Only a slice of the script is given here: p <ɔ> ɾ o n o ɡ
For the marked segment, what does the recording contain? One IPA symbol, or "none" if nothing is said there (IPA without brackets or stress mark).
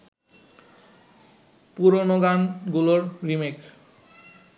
u